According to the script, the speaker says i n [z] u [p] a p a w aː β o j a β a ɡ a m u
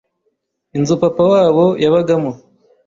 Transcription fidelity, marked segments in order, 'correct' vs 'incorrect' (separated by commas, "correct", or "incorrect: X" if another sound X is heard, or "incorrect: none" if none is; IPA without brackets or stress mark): correct, correct